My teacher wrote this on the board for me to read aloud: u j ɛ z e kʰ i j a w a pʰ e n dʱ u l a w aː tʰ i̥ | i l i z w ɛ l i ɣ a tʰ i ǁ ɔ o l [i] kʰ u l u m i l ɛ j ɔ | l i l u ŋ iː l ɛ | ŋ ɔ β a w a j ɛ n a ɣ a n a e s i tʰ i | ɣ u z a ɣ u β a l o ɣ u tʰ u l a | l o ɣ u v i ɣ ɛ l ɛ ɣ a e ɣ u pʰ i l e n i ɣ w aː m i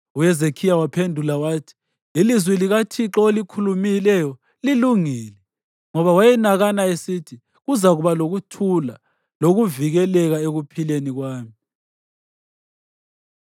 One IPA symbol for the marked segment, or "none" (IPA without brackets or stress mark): i